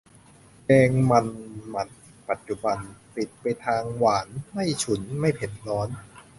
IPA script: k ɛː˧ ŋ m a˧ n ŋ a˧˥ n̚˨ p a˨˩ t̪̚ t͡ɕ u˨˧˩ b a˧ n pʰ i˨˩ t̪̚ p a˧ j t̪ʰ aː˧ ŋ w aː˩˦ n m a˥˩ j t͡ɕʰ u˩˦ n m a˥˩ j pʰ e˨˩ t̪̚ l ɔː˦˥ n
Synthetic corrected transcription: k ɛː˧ ŋ m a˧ n m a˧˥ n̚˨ p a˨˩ t̪̚ t͡ɕ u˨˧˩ b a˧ n p i˨˩ t̪̚ p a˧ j t̪ʰ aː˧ ŋ w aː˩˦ n m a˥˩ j t͡ɕʰ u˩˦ n m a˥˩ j pʰ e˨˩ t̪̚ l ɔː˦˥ n